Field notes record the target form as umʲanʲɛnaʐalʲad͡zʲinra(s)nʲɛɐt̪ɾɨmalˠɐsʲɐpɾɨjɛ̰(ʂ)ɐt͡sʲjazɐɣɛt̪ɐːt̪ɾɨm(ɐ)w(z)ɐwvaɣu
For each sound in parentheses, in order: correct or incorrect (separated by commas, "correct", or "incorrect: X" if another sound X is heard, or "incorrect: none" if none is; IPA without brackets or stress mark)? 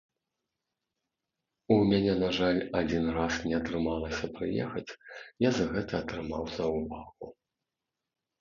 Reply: correct, incorrect: x, incorrect: a, correct